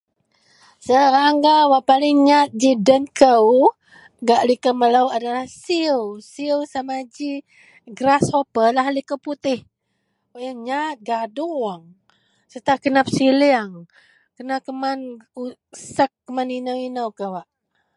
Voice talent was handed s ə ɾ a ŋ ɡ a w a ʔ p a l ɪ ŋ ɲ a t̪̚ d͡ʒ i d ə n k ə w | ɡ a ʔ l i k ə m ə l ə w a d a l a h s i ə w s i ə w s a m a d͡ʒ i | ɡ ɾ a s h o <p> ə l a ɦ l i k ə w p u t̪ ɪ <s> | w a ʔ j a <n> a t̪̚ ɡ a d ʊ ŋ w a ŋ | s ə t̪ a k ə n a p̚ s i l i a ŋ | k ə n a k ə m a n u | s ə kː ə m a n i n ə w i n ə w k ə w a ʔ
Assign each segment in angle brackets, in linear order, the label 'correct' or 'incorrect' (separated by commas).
correct, incorrect, incorrect